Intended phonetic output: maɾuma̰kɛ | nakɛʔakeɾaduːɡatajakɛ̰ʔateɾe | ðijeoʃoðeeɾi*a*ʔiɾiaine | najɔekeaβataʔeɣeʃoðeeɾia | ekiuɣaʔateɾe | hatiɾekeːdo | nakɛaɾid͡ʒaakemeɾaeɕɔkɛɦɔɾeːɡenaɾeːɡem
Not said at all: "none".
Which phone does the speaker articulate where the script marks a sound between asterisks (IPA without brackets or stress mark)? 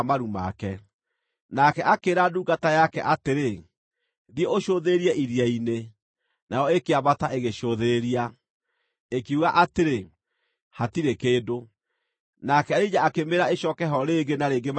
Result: ɛ